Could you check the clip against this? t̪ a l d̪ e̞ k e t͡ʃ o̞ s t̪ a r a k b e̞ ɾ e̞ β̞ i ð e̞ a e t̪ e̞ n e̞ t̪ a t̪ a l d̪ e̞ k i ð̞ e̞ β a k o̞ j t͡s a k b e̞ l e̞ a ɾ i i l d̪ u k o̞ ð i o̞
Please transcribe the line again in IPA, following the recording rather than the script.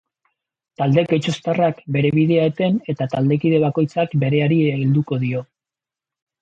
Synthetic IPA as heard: t̪ a l d̪ e̞ k e t͡ʃ o̞ s t̪ a r a k b e̞ ɾ e̞ β̞ i ð e̞ a e t̪ e̞ n e̞ t̪ a t̪ a l d̪ e̞ k i ð̞ e̞ β a k o̞ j t͡s a k b e̞ ɾ e̞ a ɾ i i l d̪ u k o̞ ð i o̞